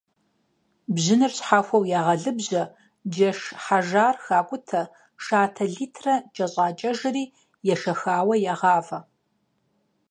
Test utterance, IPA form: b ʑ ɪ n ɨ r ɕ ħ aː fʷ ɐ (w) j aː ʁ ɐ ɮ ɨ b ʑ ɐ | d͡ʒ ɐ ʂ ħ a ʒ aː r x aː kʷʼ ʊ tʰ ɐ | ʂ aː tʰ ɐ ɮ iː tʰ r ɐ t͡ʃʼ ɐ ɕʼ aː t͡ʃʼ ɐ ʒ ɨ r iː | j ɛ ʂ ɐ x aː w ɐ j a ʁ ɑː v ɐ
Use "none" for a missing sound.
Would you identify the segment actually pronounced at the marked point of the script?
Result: w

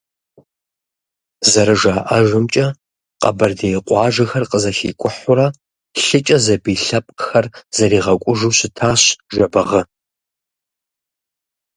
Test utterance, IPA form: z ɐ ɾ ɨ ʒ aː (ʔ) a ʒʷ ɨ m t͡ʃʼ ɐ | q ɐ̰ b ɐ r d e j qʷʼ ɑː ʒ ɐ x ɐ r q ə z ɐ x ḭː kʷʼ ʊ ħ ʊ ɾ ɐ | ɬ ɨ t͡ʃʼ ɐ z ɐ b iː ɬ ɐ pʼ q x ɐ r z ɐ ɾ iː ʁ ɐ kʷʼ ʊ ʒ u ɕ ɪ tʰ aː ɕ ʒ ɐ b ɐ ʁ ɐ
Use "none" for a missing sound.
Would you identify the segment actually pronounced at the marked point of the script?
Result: ʔ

